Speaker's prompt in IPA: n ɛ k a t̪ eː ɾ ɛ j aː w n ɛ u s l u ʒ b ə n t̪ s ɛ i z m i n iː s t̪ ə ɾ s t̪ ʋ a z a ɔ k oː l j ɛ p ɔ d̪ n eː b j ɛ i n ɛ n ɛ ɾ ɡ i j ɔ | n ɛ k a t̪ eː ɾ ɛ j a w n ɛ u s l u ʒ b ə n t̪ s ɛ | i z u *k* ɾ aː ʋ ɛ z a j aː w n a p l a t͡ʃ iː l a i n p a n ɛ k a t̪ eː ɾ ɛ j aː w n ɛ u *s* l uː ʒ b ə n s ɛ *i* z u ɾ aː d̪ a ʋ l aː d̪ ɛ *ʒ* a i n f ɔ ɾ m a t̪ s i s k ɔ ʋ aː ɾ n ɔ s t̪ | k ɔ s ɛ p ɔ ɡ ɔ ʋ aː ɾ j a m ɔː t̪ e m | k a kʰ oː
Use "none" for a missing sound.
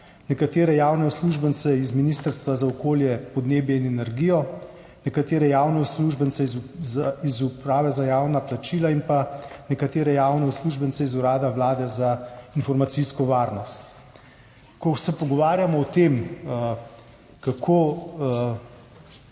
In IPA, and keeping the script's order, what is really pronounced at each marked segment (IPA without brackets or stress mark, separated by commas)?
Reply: p, s, i, z